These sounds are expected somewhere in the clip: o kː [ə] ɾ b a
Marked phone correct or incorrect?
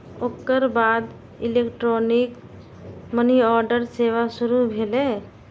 correct